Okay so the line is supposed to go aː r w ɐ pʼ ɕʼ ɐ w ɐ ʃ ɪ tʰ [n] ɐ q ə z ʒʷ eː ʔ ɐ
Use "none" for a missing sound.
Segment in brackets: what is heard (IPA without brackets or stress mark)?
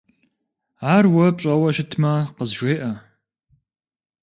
m